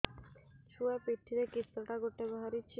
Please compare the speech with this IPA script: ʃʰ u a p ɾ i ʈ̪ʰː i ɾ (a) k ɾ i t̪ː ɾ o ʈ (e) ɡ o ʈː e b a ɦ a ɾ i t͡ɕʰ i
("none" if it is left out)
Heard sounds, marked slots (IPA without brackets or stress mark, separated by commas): e, a